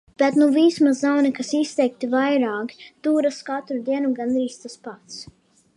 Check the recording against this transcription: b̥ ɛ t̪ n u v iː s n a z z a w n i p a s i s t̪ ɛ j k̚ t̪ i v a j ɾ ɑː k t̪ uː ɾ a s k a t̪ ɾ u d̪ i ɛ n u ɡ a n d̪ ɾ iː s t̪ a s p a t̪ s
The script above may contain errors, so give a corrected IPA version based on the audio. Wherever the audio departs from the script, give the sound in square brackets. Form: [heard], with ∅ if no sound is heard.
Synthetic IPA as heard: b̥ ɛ t̪ n u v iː s [m] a z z a w n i [k] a s i s t̪ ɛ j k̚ t̪ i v a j ɾ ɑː k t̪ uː ɾ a s k a t̪ ɾ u d̪ i ɛ n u ɡ a n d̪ ɾ iː s t̪ a s p a t̪ s